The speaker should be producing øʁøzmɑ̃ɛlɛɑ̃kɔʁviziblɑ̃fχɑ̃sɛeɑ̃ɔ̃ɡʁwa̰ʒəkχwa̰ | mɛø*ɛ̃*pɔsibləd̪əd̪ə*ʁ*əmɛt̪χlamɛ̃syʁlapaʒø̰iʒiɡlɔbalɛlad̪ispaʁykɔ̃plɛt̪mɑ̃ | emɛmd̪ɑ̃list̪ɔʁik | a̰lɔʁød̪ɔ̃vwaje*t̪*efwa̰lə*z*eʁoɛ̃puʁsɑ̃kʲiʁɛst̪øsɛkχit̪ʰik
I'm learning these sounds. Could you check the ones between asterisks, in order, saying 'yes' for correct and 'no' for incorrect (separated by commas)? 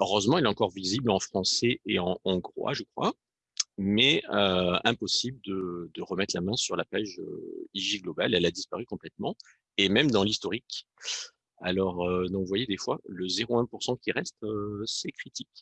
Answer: yes, yes, no, yes